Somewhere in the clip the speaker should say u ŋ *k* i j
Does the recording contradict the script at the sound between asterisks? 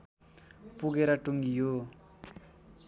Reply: yes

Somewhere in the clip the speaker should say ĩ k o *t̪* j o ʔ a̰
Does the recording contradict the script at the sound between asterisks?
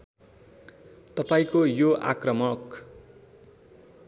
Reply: yes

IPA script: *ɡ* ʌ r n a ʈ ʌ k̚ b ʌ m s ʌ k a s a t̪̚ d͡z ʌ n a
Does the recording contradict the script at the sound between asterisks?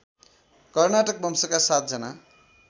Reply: yes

